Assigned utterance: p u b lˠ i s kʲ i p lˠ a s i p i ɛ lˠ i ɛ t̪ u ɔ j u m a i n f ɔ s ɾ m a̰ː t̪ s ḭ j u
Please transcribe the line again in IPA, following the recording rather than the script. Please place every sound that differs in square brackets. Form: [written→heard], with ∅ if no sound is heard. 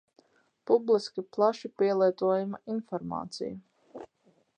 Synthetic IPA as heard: p u b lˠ i s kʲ i p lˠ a [s→ʃ] i p i ɛ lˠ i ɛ t̪ u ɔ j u m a i n f ɔ [s→∅] ɾ m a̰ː t̪ s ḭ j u